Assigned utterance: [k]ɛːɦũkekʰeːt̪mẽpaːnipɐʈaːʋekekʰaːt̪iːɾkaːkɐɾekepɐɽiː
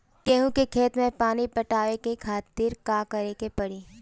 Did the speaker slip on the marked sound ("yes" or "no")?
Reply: no